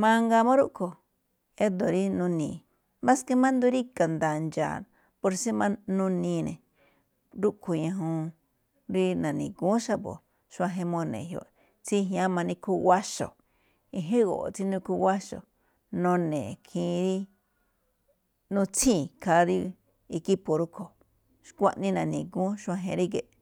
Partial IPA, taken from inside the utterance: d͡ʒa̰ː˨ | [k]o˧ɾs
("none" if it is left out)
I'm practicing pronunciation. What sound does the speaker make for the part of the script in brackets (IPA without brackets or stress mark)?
p